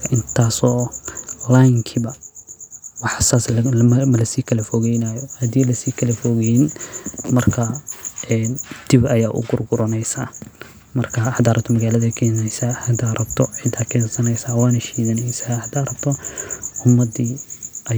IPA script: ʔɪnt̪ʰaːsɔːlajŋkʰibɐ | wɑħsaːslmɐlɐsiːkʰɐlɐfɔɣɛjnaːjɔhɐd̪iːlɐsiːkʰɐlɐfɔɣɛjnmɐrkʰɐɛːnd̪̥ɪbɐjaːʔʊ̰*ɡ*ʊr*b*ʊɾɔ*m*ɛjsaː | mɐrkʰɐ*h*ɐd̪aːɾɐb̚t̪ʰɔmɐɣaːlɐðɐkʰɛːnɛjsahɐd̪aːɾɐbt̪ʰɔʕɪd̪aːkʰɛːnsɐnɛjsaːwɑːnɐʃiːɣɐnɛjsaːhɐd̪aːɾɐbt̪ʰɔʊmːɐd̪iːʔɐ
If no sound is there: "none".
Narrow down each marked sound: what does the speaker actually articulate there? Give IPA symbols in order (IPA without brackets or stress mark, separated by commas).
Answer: ɡ, ɡ, n, h